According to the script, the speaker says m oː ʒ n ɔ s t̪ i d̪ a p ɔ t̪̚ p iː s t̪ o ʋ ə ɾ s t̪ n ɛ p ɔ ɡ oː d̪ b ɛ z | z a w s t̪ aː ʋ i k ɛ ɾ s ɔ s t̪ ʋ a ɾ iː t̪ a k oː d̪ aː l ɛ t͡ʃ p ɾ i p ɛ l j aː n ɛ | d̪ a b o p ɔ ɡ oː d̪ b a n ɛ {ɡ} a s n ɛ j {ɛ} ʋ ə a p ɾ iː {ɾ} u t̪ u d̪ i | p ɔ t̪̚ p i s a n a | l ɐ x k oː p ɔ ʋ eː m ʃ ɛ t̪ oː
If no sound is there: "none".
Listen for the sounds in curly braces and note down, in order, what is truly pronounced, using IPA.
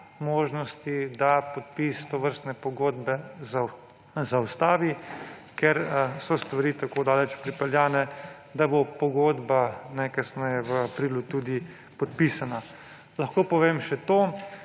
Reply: k, ɛ, l

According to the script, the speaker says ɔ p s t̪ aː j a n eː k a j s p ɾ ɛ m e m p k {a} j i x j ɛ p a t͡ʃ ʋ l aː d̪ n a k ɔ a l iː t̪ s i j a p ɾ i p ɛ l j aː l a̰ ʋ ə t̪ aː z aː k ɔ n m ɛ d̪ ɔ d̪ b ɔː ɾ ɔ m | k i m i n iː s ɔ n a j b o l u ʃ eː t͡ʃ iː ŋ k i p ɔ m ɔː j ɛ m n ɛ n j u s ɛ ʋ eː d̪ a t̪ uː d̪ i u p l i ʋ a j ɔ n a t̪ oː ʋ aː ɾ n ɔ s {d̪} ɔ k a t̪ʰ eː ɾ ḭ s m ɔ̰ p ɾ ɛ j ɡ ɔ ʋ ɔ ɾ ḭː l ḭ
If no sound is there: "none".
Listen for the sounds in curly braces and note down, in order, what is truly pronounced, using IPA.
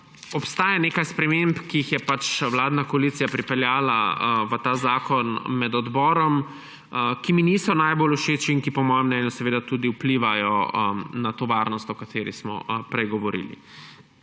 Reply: i, t̪

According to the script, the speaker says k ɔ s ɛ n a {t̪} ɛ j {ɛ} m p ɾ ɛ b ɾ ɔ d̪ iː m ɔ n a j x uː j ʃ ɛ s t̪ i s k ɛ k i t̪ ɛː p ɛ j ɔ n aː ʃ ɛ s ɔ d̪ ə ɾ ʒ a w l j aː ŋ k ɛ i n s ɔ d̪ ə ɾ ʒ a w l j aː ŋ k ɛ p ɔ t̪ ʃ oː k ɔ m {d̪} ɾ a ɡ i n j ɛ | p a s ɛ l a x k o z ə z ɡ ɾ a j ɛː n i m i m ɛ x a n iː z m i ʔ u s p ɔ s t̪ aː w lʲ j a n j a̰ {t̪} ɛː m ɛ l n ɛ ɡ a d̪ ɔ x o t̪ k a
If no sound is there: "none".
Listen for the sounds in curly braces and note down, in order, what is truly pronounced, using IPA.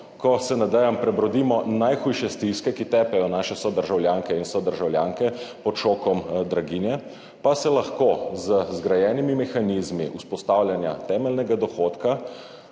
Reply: d̪, a, d̪, t̪

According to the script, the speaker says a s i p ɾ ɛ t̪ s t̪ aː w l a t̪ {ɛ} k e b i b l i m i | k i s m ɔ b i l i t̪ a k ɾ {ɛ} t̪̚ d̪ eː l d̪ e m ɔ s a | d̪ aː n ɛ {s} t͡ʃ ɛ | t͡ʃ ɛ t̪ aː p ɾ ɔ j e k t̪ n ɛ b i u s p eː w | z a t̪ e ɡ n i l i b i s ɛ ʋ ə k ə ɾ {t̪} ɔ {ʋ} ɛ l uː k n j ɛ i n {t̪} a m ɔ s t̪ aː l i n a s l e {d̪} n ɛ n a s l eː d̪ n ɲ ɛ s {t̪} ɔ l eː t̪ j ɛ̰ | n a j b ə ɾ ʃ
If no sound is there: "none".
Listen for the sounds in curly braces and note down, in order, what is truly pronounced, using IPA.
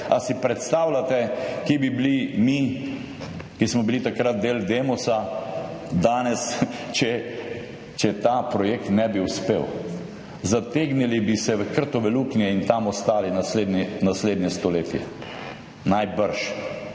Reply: ɛ, a, s, t̪, ʋ, t̪, d̪, t̪

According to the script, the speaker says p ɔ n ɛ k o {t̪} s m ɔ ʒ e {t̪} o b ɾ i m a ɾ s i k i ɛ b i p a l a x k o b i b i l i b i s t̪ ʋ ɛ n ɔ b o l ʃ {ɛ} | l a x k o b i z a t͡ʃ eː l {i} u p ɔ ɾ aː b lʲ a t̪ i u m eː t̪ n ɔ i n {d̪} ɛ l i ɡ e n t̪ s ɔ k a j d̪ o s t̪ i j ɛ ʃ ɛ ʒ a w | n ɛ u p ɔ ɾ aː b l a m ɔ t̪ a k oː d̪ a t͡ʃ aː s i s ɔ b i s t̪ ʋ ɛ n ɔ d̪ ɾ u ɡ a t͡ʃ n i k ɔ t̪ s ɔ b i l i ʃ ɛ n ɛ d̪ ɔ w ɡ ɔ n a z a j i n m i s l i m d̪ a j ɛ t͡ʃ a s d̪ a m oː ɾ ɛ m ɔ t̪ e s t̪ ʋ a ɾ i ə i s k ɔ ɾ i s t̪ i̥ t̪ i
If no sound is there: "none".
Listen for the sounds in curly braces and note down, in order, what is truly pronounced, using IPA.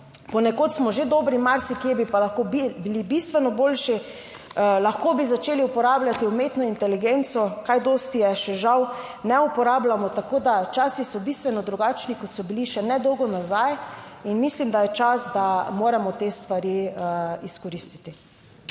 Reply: t̪, d̪, i, i, t̪

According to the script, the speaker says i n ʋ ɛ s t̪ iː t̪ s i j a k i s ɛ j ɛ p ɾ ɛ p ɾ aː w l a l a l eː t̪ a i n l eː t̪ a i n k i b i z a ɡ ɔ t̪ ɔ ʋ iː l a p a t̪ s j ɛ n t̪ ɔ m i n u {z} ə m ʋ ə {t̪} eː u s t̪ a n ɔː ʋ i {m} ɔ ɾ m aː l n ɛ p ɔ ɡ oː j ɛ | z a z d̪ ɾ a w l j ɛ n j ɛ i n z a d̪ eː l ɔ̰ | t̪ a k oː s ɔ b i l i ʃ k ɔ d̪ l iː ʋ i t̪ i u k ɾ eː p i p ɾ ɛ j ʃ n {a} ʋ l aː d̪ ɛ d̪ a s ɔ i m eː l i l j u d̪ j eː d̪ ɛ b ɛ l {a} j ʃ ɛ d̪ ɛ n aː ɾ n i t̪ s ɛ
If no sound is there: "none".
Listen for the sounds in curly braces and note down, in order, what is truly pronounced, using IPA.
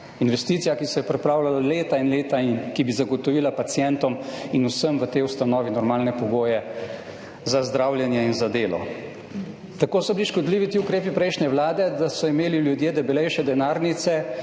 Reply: s, t̪, n, ɛ, ɛ

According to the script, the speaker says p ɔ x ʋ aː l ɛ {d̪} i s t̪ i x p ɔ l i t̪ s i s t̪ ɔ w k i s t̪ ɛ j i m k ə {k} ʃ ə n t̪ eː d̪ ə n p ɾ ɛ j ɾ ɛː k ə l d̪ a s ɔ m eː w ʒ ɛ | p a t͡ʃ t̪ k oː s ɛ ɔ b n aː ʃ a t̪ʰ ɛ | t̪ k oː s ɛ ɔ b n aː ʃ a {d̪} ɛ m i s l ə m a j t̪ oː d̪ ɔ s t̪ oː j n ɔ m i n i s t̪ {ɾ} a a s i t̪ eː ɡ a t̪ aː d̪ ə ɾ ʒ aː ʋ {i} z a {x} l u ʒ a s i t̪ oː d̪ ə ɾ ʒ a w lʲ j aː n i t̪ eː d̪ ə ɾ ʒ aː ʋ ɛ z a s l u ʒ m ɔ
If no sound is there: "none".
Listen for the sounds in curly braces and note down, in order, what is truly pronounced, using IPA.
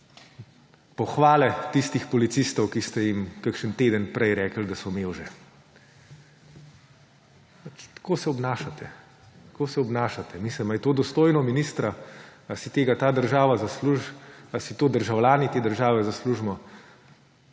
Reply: t̪, k, t̪, ɾ, a, s

